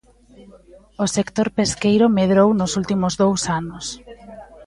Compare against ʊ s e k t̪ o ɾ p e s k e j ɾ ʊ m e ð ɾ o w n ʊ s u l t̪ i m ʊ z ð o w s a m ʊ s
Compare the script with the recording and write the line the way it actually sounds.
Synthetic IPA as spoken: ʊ s e k t̪ o ɾ p e s k e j ɾ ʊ m e ð ɾ o w n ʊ s u l t̪ i m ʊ z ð o w s a n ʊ s